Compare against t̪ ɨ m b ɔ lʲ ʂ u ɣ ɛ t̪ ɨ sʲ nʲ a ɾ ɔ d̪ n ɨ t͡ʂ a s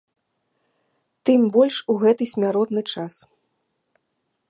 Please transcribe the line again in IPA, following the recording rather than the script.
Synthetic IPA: t̪ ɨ m b ɔ lʲ ʂ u ɣ ɛ t̪ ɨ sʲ mʲ a ɾ ɔ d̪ n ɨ t͡ʂ a s